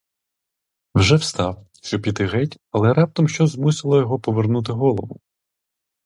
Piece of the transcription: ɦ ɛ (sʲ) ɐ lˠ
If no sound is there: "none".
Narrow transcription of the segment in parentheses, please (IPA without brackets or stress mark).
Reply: tʲ